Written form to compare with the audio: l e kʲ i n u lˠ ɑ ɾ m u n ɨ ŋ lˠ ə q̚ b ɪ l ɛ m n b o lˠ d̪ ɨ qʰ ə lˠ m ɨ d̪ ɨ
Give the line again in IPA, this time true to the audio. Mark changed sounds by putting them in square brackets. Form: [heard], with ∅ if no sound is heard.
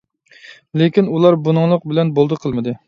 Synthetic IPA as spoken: l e kʲ i n u lˠ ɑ ɾ [b] u n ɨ ŋ lˠ ə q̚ b ɪ l ɛ [∅] n b o lˠ d̪ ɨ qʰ ə lˠ m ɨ d̪ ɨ